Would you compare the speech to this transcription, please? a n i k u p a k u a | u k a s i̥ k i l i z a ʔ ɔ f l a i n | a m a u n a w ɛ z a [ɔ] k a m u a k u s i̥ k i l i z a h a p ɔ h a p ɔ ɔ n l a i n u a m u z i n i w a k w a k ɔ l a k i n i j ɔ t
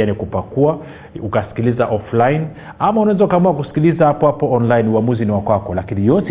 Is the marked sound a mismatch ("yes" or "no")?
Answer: yes